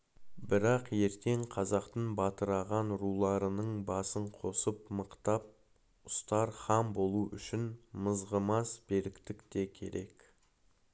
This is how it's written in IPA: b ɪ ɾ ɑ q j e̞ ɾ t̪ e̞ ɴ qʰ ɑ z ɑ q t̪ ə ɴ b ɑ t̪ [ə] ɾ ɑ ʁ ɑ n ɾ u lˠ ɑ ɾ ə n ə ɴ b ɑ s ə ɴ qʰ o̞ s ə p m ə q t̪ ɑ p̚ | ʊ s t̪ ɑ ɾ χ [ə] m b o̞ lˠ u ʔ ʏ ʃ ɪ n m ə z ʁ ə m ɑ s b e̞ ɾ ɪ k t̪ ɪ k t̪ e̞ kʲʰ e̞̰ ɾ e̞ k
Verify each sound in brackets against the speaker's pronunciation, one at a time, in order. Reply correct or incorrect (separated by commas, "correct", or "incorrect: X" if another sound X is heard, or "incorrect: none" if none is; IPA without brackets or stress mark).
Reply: correct, incorrect: ɑ